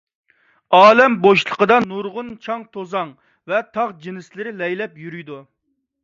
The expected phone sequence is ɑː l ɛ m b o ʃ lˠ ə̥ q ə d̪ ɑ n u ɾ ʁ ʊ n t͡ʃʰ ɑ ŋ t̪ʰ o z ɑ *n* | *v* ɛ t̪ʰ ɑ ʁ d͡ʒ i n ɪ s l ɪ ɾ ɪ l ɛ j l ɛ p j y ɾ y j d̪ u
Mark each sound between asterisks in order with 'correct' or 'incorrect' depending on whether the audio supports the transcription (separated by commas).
incorrect, correct